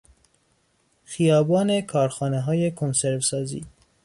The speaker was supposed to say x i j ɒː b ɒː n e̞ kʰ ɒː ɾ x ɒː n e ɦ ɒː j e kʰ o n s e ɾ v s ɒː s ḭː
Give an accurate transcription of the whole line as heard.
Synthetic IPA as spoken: x i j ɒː b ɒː n e̞ kʰ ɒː ɾ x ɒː n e ɦ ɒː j e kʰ o n s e ɾ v s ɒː z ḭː

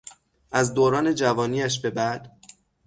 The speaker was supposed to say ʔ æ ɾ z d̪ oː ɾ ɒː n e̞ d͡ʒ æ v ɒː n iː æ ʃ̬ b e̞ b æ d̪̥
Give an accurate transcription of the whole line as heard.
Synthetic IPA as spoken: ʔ æ z d̪ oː ɾ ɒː n e̞ d͡ʒ æ v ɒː n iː æ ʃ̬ b e̞ b æ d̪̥

